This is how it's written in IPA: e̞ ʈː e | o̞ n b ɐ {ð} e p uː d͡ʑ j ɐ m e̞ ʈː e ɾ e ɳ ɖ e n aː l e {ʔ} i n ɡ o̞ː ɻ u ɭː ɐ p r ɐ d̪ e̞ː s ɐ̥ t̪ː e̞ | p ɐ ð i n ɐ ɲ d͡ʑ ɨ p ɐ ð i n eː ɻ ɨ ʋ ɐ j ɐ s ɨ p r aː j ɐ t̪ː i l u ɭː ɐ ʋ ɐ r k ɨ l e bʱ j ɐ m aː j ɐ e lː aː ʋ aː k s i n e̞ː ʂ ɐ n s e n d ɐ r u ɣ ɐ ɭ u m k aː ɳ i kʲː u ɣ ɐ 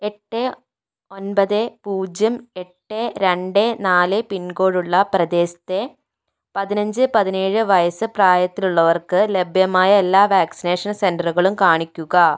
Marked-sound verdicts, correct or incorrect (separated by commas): correct, incorrect